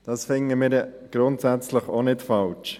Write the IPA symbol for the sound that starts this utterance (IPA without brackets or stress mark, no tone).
d̥